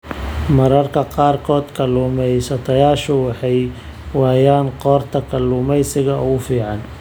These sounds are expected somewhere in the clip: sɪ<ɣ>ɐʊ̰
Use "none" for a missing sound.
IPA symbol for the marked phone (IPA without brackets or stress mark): ɣ